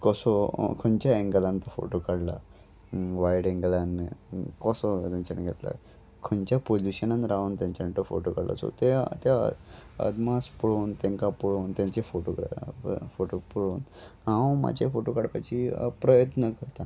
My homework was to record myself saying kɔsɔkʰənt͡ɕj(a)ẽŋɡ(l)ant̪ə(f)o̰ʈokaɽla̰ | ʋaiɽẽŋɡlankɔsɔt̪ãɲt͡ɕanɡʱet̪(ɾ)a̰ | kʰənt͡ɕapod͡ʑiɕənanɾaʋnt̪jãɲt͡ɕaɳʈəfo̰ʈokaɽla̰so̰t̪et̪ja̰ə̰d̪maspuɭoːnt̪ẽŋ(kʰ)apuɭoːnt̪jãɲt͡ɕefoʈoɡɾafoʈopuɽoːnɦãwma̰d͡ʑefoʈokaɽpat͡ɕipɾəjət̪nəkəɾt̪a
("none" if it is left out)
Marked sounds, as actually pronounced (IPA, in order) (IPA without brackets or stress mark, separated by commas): a, l, f, l, k